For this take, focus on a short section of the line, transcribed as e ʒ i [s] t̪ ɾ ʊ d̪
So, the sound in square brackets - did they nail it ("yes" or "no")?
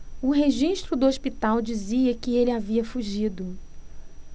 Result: no